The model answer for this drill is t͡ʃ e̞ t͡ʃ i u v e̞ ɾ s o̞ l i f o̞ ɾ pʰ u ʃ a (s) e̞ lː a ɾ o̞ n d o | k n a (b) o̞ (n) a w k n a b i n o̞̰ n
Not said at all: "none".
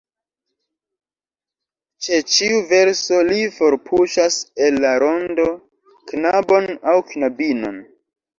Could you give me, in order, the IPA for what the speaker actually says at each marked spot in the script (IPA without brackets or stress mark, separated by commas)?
s, b, n